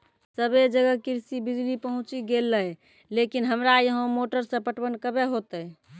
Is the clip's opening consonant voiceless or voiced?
voiceless